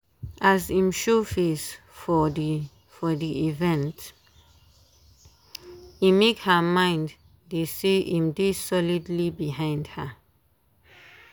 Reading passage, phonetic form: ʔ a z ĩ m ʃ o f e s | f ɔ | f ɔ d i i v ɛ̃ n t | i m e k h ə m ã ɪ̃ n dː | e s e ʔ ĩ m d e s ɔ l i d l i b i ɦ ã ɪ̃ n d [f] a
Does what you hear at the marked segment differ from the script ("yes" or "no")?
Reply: yes